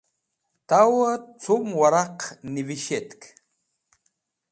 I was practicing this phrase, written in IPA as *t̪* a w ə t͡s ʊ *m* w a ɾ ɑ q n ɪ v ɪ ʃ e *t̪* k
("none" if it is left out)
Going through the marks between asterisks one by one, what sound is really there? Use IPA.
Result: t̪, m, t̪

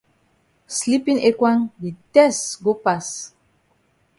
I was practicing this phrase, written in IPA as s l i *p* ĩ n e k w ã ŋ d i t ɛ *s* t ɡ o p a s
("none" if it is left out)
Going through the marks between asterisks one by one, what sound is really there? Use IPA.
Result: p, s

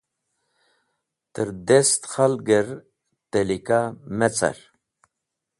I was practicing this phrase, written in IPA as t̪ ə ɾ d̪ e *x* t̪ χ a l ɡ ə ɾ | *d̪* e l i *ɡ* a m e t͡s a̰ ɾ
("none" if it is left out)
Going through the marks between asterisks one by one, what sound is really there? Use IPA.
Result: s, t̪, k

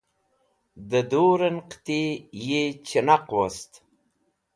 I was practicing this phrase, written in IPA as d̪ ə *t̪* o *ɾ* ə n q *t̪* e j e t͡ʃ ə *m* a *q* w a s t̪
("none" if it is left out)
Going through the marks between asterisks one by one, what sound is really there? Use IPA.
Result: d̪, ɾ, t̪, n, q

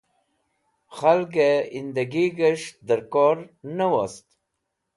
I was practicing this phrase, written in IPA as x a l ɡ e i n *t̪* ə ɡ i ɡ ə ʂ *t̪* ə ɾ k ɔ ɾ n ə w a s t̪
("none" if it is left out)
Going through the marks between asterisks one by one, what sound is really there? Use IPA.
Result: d̪, d̪

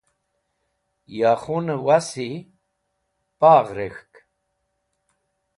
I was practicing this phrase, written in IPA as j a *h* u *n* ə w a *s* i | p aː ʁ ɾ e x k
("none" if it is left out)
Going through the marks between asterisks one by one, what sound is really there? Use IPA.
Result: χ, n, s

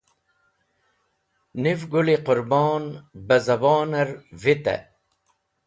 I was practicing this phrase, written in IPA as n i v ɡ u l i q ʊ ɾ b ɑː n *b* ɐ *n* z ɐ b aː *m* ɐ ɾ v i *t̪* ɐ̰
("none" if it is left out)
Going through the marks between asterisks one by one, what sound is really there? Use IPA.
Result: b, none, n, t̪

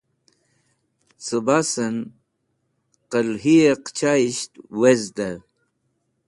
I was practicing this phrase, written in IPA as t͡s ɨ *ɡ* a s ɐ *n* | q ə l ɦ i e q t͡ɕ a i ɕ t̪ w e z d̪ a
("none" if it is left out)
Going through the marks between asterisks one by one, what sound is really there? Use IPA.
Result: b, n

